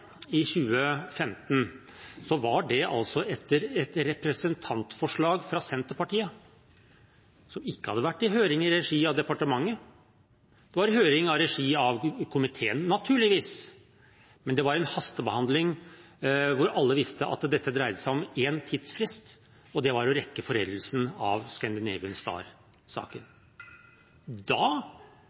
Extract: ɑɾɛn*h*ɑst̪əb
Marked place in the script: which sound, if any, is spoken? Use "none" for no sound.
h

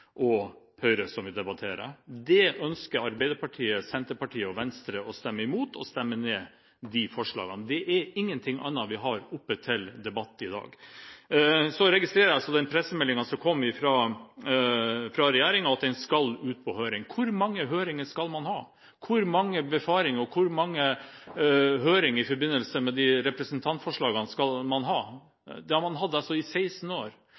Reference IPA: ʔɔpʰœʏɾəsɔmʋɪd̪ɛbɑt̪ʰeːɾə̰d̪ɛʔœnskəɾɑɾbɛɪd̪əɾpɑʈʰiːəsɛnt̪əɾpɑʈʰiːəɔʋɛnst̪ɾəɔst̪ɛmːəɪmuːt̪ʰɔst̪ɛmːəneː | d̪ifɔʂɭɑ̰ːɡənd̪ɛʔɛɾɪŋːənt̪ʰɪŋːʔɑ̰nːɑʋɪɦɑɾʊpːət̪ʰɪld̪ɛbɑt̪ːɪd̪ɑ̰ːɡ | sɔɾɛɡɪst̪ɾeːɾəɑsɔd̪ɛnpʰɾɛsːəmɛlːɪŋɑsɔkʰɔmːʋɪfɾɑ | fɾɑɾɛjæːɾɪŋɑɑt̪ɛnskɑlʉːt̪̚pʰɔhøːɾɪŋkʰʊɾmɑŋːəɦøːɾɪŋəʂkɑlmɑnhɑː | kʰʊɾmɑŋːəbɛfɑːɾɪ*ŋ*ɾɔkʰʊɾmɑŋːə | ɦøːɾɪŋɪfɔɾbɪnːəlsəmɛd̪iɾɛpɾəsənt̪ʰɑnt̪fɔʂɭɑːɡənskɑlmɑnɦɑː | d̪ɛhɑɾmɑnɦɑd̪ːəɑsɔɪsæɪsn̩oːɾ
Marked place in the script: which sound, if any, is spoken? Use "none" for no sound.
ŋ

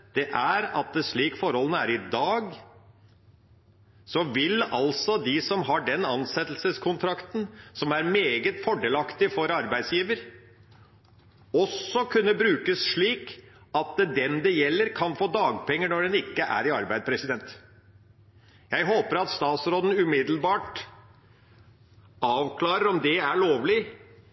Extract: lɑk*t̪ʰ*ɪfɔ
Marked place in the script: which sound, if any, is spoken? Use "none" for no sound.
t̪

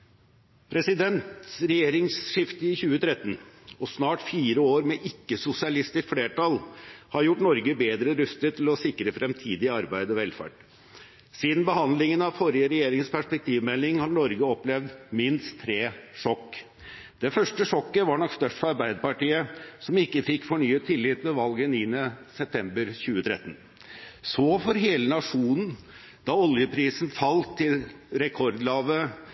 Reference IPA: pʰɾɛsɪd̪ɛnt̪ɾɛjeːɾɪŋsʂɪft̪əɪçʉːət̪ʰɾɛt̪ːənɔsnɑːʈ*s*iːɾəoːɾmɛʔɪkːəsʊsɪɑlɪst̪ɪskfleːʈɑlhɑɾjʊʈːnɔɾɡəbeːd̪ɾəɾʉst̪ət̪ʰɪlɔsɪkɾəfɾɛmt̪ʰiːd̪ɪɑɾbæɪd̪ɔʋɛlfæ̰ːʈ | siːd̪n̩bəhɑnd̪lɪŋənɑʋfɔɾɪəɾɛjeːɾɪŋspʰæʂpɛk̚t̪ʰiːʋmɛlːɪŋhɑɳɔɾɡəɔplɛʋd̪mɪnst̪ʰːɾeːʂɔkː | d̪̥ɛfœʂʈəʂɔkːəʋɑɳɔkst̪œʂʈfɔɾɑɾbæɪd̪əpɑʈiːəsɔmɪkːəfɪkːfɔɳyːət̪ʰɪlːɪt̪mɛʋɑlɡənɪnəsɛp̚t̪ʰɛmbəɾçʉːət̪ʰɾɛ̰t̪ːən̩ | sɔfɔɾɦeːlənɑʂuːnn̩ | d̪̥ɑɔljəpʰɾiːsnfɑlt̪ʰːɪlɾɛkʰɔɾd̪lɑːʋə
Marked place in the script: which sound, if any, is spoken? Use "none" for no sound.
f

